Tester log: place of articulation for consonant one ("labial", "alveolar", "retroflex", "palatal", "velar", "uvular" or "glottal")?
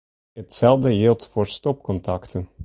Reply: alveolar